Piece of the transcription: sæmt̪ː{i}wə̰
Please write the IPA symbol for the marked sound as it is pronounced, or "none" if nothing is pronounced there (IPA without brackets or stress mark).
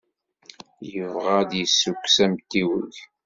i